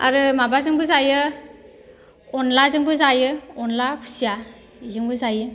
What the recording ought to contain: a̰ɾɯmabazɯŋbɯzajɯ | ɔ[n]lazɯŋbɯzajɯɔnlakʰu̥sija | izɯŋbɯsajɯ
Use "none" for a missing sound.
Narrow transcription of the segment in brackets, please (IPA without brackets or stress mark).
n